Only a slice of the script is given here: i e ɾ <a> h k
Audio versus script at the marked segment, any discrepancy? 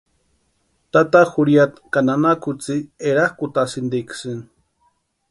no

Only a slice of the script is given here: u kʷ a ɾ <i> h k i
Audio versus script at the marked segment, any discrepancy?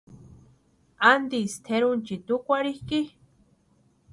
no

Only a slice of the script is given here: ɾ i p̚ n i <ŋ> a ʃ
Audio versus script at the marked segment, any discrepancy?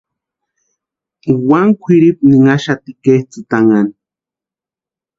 no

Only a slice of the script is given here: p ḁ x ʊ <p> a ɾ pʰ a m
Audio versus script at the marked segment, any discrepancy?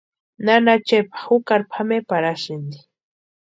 yes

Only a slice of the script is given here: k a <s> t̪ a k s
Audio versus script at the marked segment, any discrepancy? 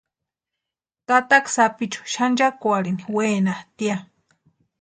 yes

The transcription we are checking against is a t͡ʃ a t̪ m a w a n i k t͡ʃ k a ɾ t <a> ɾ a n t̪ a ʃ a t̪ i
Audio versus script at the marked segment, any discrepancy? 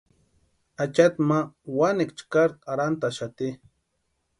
no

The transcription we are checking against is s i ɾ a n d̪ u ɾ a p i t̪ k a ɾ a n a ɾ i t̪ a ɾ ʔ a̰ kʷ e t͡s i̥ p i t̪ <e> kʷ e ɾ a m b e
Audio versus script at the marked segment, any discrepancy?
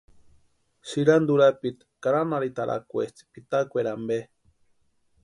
yes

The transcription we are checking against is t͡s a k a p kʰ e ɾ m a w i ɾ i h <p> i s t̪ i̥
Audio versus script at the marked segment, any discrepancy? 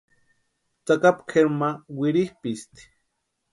no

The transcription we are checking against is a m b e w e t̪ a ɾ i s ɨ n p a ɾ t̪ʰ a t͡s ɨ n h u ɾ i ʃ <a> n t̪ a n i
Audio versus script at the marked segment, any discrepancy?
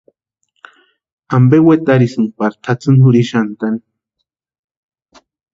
no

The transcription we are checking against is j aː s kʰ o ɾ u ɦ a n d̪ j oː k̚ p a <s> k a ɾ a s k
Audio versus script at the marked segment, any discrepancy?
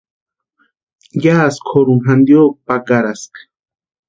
yes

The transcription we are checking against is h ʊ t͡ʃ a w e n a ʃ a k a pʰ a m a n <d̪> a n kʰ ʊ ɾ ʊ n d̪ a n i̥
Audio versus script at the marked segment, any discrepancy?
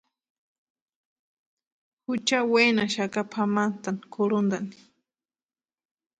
yes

